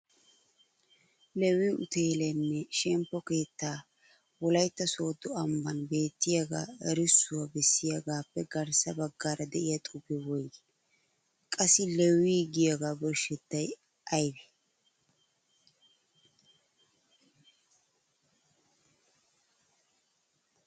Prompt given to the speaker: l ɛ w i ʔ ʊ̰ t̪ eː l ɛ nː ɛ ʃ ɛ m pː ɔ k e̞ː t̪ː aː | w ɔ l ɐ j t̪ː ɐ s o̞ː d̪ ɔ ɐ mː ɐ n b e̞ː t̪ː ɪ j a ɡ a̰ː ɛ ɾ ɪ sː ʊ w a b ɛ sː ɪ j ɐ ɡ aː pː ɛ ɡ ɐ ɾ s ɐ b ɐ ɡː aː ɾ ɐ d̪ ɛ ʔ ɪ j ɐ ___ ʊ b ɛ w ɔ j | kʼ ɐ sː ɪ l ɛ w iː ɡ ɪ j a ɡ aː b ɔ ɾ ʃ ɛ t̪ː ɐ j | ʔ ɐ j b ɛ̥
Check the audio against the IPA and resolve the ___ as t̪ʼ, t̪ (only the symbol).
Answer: t̪ʼ